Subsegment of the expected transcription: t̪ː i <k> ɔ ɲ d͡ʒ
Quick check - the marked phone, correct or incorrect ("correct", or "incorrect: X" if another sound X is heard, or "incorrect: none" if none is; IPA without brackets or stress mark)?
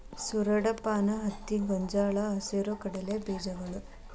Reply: incorrect: ɡ